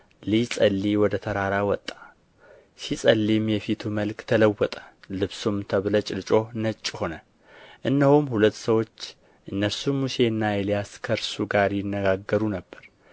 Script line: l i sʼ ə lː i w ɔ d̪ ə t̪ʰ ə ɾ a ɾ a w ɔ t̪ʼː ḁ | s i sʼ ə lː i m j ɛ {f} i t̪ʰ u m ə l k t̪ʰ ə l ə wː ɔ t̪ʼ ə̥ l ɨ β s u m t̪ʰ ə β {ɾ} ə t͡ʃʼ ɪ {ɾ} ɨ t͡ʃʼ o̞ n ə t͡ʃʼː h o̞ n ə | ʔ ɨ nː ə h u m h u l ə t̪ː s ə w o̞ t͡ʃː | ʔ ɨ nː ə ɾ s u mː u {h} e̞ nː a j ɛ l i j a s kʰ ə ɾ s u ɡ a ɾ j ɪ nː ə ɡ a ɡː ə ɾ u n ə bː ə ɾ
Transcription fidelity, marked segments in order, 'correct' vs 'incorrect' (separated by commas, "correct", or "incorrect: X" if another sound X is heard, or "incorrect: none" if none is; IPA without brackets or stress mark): correct, incorrect: l, incorrect: l, incorrect: s